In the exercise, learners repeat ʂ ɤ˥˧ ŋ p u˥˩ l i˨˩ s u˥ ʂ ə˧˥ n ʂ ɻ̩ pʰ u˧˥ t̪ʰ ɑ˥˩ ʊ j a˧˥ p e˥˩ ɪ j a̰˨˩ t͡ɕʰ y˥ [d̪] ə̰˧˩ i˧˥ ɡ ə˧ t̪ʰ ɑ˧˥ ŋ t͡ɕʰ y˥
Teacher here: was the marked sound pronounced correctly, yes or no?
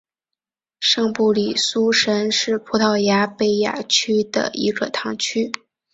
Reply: yes